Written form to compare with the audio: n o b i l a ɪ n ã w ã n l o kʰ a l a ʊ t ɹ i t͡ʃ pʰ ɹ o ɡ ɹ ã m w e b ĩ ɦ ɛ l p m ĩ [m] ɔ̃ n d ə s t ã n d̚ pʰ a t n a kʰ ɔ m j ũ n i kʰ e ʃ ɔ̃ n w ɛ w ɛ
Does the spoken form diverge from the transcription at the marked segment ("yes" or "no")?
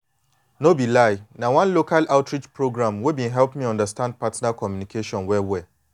yes